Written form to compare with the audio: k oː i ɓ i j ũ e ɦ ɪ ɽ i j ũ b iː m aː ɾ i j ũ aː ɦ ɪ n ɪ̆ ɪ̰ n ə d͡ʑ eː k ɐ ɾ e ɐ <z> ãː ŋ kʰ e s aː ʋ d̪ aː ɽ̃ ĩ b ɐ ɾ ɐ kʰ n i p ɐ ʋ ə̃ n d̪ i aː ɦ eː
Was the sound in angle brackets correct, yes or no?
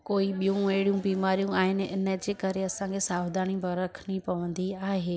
no